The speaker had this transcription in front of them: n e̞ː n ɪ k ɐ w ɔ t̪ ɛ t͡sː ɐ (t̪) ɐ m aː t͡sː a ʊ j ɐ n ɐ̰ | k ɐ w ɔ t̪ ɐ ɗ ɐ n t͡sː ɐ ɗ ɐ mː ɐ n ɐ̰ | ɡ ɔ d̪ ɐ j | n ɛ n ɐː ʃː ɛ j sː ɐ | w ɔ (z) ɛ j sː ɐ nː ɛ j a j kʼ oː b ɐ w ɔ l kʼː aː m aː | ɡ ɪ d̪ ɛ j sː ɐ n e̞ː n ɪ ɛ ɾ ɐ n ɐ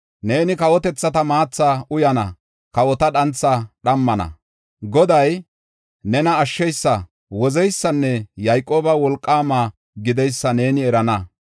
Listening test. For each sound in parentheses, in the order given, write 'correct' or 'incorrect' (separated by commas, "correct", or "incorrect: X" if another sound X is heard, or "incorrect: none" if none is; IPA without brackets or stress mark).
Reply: correct, correct